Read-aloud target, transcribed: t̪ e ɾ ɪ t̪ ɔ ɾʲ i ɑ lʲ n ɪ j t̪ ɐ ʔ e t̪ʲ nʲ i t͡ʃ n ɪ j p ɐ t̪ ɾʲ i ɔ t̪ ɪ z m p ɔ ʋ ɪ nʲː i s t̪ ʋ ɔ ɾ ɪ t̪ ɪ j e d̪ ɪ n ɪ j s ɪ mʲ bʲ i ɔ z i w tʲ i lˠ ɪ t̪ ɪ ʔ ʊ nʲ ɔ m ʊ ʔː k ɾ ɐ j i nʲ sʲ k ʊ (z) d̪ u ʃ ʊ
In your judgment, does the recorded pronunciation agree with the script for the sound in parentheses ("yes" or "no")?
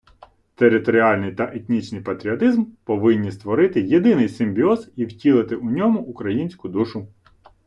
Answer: no